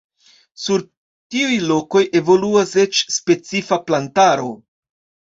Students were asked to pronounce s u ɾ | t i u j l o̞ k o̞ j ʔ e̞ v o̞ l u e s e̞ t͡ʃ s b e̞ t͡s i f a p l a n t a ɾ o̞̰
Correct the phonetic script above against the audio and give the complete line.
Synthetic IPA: s u ɾ | t i u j l o̞ k o̞ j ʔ e̞ v o̞ l u a s e̞ t͡ʃ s p e̞ t͡s i f a p l a n t a ɾ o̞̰